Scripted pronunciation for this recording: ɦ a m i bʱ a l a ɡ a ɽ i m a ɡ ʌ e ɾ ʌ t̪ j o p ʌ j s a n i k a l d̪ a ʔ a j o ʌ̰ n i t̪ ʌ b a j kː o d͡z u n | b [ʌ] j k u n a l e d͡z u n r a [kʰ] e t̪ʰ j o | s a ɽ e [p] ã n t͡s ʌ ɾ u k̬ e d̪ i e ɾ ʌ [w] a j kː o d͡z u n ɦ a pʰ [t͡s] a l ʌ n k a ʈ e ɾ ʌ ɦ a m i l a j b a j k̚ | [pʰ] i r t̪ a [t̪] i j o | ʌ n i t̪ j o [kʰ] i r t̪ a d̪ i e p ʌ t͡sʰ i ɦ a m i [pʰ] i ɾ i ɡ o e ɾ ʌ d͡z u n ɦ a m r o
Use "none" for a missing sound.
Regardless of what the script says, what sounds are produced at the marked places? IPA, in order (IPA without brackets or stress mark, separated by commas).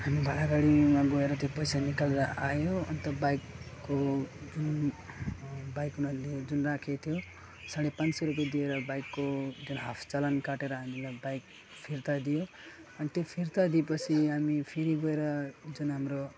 a, kʰ, p, b, t͡s, pʰ, d̪, pʰ, pʰ